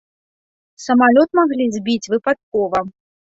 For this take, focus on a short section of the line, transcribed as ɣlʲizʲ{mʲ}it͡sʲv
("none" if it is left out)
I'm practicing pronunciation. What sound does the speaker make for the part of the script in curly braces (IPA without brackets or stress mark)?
bʲ